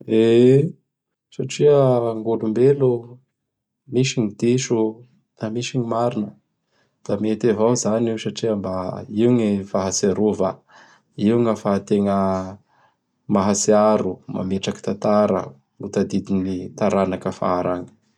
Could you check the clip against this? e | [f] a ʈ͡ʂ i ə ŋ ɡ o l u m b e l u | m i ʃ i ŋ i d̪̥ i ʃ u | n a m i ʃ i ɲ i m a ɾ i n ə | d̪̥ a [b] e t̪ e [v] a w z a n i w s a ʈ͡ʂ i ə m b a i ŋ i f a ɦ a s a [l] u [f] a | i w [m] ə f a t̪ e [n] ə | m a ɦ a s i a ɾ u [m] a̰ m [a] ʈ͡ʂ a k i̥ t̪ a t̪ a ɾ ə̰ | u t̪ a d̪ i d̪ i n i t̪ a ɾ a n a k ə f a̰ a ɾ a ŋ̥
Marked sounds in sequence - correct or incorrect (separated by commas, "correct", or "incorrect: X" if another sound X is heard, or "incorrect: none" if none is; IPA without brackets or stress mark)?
incorrect: s, incorrect: m, correct, incorrect: ɾ, incorrect: v, incorrect: ŋ, incorrect: ŋ, correct, incorrect: e